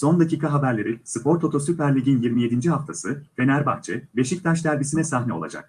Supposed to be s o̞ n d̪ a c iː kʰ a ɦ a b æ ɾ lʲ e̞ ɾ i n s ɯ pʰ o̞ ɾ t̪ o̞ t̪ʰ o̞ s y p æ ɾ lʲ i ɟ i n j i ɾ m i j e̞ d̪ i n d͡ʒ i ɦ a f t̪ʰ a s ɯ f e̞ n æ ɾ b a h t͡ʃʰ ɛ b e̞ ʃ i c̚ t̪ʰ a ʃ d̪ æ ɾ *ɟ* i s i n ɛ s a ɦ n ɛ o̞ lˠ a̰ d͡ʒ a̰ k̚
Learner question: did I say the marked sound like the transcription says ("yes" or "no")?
no